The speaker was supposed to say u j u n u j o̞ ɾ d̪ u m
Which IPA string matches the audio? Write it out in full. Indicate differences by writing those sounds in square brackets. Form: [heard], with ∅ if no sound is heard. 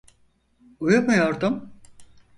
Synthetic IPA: u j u [m] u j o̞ ɾ d̪ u m